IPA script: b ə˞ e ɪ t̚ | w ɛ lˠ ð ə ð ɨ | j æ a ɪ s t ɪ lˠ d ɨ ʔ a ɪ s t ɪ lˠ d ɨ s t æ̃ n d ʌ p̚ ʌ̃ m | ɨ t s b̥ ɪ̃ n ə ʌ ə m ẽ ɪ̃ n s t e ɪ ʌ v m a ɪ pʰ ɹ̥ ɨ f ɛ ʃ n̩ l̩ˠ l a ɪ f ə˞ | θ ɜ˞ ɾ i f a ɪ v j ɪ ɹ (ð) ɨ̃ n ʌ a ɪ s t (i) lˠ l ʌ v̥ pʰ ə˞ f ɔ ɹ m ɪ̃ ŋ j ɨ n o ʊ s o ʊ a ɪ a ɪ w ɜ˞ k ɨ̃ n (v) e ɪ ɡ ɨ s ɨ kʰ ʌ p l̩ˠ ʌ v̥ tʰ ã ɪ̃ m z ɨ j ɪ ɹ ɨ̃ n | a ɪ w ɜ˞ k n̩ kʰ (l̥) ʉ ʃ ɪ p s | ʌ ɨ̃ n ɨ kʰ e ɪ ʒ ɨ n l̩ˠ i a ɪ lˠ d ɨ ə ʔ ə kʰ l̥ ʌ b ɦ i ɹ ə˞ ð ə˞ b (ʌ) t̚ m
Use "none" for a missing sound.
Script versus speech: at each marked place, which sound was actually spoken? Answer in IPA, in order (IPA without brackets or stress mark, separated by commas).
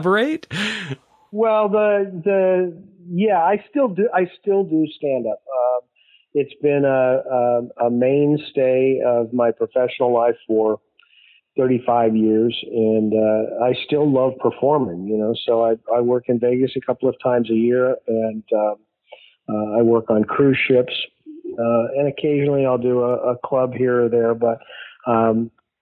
z, ɪ, v, ɹ̥, ʌ